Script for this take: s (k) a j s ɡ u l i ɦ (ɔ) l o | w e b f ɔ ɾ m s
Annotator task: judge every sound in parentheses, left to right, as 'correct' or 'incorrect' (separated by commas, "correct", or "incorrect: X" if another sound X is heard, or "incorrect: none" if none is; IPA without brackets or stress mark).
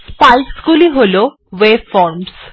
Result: incorrect: p, incorrect: o